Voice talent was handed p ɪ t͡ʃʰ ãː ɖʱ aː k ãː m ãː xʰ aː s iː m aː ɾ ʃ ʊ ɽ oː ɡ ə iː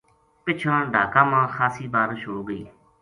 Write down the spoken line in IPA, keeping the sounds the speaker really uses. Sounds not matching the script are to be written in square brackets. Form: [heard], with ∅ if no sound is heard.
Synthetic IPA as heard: p ɪ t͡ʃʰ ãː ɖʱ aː k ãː m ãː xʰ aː s iː [b] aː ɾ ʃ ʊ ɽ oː ɡ ə iː